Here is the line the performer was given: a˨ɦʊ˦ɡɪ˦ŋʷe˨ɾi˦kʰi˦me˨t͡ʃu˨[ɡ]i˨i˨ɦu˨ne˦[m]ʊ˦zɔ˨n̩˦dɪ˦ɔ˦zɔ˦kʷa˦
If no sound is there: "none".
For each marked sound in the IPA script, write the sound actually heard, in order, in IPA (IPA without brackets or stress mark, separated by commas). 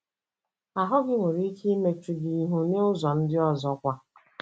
ɡ, none